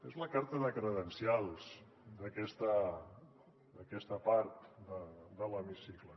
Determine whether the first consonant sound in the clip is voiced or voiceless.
voiced